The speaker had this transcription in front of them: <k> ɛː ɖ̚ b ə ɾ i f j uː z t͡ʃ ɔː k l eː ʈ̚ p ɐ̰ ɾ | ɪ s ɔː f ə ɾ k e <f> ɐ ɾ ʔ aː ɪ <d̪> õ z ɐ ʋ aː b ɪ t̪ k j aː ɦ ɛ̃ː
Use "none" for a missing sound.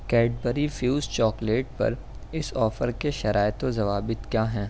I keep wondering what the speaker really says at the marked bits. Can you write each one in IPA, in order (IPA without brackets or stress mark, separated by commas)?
k, ʃ, t̪